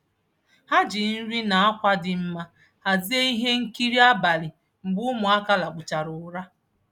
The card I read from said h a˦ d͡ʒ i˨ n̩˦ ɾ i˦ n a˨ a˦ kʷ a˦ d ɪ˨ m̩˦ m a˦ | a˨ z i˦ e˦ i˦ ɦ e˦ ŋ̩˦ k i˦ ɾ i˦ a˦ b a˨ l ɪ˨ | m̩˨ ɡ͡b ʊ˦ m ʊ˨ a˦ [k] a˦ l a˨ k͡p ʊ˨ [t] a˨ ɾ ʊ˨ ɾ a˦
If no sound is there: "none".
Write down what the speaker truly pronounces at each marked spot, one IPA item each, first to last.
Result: k, t͡ʃ

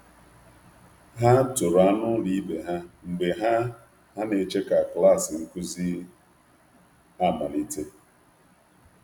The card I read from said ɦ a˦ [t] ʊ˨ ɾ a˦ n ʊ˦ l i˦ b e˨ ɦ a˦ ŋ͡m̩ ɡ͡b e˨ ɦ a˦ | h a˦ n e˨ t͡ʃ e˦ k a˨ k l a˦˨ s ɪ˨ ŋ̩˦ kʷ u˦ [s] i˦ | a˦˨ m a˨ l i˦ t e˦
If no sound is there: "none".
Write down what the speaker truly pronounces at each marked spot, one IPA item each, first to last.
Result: t, z

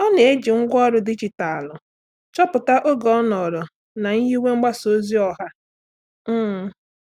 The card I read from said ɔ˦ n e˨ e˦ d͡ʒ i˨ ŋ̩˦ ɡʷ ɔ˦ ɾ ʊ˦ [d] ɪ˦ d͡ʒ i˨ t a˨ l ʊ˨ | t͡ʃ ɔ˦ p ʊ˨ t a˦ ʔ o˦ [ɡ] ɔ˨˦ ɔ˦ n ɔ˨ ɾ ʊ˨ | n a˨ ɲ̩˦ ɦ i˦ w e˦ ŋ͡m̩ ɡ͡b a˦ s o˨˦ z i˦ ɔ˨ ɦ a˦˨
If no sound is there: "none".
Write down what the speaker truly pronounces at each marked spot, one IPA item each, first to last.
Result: d, ɡ

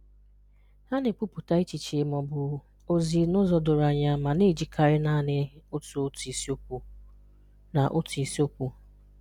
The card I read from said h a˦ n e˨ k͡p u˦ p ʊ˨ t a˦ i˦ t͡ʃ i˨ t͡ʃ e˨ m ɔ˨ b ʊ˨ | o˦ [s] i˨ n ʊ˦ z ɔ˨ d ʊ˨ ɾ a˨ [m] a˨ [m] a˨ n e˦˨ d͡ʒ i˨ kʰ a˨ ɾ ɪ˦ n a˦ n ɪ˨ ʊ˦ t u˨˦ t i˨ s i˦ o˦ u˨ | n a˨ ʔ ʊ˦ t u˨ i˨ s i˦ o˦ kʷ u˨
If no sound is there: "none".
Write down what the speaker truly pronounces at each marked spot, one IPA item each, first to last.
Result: z, ɲ, m

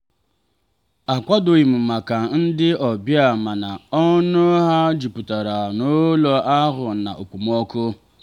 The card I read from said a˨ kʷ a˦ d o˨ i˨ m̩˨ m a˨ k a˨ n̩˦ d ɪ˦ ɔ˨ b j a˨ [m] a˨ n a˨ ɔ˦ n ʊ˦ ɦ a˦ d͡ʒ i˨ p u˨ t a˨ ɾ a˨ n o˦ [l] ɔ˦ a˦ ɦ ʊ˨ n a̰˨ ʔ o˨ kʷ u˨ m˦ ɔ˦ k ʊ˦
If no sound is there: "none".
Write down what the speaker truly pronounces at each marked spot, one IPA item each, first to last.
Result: m, l

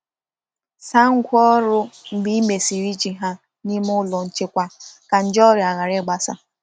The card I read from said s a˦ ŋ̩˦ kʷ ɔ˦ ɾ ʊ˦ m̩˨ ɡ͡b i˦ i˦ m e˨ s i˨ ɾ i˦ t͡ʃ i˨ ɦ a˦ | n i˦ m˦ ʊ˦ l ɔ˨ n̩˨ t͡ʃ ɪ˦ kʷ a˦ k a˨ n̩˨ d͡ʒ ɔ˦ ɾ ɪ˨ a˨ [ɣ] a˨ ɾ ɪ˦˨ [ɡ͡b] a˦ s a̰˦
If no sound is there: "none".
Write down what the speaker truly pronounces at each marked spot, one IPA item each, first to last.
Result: ɣ, ɡ͡b

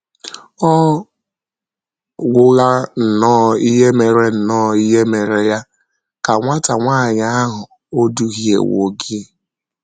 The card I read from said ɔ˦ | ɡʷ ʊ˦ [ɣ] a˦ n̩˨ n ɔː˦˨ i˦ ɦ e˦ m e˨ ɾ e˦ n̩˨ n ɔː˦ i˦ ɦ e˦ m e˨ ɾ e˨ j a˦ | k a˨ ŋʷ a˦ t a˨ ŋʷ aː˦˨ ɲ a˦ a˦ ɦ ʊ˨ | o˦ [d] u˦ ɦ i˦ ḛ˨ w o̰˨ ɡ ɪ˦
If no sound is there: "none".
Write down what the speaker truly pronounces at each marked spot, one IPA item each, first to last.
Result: ɣ, d

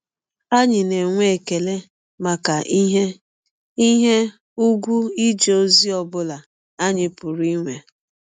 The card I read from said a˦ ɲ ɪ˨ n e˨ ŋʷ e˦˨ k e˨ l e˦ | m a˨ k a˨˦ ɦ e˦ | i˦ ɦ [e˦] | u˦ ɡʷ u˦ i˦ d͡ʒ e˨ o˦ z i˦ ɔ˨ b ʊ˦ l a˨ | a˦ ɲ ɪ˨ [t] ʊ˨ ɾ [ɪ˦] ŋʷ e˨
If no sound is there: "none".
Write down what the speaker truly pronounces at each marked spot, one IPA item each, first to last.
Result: e˦, p, i˦

